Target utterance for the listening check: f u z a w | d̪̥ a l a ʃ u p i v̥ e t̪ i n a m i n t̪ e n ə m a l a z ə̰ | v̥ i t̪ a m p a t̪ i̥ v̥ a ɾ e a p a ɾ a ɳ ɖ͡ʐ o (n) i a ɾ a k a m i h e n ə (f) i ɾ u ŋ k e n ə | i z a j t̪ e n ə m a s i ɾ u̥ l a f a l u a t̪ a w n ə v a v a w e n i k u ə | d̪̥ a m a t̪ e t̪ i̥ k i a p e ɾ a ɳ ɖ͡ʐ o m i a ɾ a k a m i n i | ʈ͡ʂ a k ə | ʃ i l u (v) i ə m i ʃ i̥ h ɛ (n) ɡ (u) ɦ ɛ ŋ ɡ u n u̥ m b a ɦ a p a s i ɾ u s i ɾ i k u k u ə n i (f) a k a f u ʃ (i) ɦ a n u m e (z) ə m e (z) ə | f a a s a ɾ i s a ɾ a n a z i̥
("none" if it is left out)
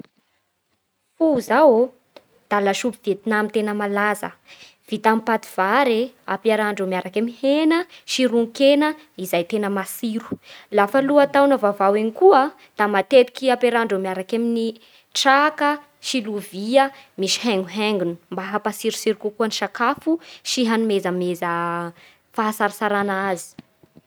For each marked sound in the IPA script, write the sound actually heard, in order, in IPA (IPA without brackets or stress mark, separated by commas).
m, ʃ, v, ŋ, u, ʃ, i, z, z